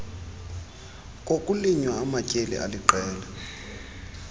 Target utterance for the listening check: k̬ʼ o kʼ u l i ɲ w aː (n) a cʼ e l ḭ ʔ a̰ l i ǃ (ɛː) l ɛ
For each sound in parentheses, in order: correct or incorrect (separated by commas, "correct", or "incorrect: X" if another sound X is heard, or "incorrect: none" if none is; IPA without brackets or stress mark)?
incorrect: m, correct